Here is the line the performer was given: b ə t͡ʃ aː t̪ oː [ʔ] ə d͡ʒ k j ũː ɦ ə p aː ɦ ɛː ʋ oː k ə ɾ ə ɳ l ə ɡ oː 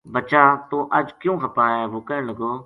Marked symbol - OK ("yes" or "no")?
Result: yes